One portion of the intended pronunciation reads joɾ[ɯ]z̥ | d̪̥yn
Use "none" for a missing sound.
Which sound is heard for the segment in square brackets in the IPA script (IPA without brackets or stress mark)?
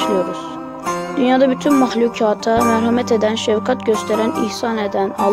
u